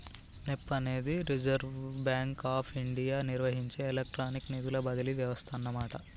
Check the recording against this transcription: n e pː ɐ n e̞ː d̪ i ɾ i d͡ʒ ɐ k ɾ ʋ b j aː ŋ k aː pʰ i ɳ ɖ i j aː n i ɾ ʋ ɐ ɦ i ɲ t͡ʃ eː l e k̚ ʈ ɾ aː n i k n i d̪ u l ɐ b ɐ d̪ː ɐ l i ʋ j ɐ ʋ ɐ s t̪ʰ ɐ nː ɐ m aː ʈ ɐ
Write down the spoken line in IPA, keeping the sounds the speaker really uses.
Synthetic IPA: n e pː ɐ n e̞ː d̪ i ɾ i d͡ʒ ɐ ɾ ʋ b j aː ŋ k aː pʰ i ɳ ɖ i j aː n i ɾ ʋ ɐ ɦ i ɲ t͡ʃ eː l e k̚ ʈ ɾ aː n i k n i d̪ u l ɐ b ɐ d̪ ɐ l i ʋ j ɐ ʋ ɐ s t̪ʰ ɐ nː ɐ m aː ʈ ɐ

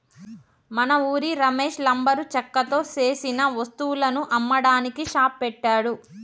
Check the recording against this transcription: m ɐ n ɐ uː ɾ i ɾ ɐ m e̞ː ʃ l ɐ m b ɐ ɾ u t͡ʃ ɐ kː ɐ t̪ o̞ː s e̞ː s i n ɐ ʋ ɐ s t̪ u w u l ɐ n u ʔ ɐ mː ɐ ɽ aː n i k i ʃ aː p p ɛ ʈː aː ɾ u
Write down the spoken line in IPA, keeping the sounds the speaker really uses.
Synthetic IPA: m ɐ n ɐ uː ɾ i ɾ ɐ m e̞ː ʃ l ɐ m b ɐ ɾ u t͡ʃ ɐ kː ɐ t̪ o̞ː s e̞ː s i n ɐ ʋ ɐ s t̪ u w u l ɐ n u ʔ ɐ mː ɐ ɽ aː n i k i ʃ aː p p ɛ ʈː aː ɽ u

